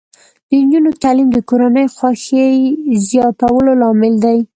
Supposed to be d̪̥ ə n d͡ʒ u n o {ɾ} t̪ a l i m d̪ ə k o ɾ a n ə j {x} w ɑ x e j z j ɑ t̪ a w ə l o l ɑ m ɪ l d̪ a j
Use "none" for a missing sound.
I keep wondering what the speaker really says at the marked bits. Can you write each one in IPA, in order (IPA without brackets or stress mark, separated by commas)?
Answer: none, x